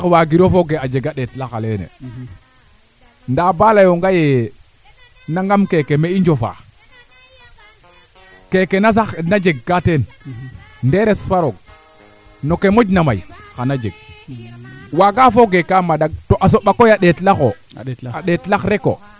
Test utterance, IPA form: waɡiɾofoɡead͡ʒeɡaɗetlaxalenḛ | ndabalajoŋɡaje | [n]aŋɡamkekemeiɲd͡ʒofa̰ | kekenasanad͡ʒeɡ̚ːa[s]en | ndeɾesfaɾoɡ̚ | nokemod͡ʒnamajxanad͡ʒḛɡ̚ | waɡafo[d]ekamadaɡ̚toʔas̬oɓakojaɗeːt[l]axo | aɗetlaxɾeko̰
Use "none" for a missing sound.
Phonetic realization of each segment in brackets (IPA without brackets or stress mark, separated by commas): n, t, ɡ, l